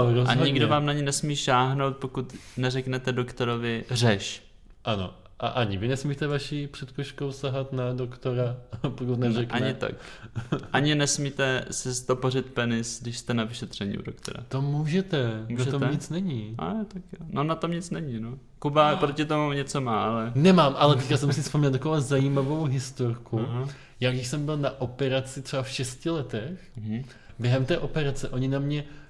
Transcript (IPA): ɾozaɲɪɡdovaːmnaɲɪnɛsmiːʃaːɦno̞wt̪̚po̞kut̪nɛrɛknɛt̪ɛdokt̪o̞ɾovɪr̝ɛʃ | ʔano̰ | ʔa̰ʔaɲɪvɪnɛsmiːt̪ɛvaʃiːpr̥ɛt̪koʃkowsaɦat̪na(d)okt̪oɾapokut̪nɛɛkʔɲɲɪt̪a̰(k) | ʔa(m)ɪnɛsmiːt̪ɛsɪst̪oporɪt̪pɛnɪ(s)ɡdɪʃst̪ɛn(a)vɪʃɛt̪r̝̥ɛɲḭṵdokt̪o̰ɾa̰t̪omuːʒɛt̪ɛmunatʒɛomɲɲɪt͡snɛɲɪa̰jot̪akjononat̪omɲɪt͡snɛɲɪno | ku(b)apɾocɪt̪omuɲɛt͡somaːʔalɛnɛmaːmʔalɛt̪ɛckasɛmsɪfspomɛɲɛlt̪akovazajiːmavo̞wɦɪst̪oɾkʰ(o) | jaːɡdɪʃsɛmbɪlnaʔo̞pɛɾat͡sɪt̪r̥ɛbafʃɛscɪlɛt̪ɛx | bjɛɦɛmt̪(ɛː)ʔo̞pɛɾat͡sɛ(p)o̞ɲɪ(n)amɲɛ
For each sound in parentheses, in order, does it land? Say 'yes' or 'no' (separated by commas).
yes, yes, no, yes, yes, yes, no, yes, no, yes